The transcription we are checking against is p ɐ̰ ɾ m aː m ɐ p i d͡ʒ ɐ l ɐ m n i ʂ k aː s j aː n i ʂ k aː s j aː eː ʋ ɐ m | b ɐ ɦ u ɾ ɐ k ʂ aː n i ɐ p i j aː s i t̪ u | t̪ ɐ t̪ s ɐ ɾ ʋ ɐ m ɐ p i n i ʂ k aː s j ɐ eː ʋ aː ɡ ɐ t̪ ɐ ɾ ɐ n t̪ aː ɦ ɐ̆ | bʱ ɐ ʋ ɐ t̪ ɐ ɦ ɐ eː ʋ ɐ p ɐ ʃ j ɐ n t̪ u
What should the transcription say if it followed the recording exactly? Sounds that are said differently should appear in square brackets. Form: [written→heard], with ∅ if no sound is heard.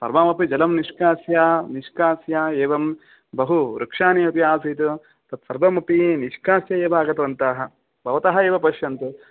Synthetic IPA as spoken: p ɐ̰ ɾ m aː m ɐ p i d͡ʒ ɐ l ɐ m n i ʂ k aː s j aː n i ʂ k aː s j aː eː ʋ ɐ m | b ɐ ɦ u ɾ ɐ k ʂ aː n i ɐ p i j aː s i t̪ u | t̪ ɐ t̪ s ɐ ɾ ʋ ɐ m ɐ p i n i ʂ k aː s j ɐ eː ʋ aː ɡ ɐ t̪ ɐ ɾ ɐ n t̪ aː ɦ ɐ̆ | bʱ ɐ ʋ ɐ t̪ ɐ ɦ ɐ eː ʋ ɐ p ɐ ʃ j ɐ n t̪ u